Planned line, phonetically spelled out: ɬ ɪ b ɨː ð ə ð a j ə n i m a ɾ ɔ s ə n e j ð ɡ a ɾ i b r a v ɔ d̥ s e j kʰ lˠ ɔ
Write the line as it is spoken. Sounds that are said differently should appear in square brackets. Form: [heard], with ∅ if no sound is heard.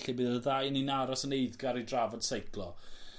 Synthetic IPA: ɬ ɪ b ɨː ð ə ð a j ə n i [n] a ɾ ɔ s ə n e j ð ɡ a ɾ i [d] r a v ɔ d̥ s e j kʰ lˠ ɔ